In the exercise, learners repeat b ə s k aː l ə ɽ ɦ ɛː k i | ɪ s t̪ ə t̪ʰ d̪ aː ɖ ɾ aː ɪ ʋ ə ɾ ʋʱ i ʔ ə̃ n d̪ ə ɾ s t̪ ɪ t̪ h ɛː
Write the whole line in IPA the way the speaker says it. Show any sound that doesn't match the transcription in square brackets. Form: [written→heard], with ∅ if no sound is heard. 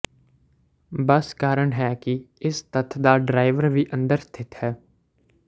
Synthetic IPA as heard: b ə s k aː [l→ɾ] ə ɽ ɦ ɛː k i | ɪ s t̪ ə t̪ʰ d̪ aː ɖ ɾ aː ɪ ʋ ə ɾ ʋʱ i ʔ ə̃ n d̪ ə ɾ s [t̪→t̪ʰ] ɪ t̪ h ɛː